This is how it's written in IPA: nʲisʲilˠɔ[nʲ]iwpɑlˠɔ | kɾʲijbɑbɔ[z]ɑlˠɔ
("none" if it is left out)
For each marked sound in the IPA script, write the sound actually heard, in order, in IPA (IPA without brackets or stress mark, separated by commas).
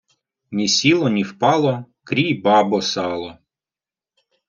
nʲ, s